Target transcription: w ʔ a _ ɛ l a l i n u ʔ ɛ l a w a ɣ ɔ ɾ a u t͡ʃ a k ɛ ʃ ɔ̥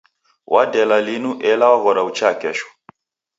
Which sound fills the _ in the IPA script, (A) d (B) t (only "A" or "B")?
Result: A